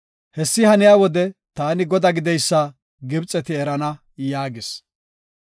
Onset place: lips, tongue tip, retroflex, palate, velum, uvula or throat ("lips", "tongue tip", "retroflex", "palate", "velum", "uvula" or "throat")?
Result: throat